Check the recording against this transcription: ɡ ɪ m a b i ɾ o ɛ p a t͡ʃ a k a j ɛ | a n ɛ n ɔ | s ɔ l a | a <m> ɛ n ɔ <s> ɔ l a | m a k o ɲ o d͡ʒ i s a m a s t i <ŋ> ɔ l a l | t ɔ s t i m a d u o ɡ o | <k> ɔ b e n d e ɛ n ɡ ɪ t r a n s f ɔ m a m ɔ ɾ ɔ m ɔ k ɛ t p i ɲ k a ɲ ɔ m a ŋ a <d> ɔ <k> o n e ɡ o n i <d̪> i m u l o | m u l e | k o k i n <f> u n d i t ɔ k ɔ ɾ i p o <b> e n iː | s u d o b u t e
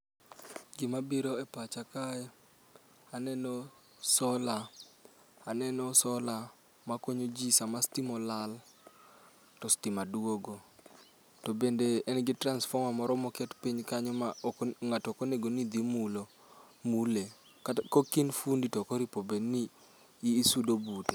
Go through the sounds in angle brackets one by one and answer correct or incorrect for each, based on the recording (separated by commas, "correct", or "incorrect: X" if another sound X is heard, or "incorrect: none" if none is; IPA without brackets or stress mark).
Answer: incorrect: n, correct, incorrect: m, incorrect: t, incorrect: t, correct, correct, correct, correct